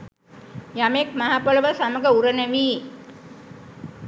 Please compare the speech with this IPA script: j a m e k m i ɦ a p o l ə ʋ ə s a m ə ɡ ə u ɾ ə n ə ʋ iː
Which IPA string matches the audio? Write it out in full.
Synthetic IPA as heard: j a m e k m a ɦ a p o l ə ʋ ə s a m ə ɡ ə u ɾ ə n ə ʋ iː